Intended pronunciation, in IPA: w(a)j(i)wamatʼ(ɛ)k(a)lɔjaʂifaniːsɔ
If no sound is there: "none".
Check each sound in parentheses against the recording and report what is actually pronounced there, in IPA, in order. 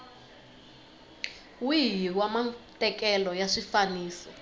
i, i, ɛ, ɛ

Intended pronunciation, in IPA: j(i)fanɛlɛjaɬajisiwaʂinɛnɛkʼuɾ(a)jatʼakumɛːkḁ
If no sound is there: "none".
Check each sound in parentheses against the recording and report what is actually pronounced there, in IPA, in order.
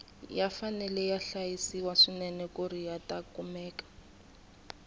a, i

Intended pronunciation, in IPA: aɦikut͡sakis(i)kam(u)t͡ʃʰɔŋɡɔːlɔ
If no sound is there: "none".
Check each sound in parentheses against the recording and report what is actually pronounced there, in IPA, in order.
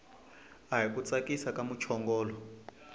a, u

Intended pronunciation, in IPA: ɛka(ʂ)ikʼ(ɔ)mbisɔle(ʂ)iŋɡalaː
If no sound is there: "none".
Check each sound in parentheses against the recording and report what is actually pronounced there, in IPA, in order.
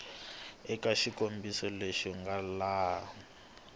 ʃ, o, ʃ

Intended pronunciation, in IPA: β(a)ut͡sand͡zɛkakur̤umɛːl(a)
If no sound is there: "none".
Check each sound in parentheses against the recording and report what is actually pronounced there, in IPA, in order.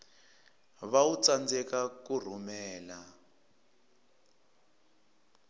a, a

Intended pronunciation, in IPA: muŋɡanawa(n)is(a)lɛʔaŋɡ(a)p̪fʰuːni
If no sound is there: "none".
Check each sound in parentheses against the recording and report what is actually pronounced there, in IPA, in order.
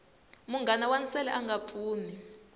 n, ɛ, a

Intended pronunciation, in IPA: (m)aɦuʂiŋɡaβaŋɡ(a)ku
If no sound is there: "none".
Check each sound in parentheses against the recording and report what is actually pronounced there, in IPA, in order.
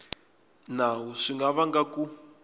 n, a

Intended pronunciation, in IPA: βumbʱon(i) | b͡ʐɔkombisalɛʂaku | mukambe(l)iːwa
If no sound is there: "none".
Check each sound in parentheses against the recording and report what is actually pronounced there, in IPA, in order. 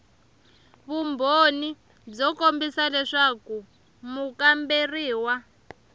i, r

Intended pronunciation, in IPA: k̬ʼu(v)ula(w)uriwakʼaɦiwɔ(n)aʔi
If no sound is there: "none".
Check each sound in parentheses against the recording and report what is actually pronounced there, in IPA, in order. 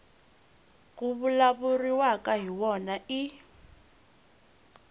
β, β, n

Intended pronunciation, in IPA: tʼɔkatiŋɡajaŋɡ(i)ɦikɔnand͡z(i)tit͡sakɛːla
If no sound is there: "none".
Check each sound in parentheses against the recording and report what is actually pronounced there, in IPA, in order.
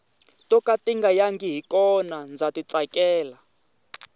i, a

